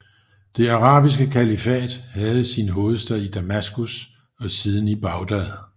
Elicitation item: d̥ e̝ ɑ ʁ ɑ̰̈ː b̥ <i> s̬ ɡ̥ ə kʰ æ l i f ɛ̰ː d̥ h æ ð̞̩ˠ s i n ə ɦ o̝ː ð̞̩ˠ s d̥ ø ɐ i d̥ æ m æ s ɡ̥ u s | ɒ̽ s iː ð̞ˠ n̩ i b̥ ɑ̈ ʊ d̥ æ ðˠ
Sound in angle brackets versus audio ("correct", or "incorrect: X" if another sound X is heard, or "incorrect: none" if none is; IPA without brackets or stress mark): correct